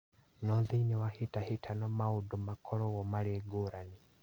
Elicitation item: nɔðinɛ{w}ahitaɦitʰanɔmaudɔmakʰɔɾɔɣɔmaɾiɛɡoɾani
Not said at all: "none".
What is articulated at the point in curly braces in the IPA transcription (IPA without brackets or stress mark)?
w